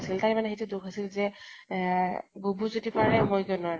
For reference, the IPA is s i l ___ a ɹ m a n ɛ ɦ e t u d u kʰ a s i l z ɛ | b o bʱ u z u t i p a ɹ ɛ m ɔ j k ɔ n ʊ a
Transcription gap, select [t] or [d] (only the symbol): t